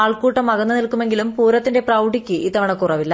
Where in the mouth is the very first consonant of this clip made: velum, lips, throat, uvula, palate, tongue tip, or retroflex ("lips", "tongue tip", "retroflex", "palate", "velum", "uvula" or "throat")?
retroflex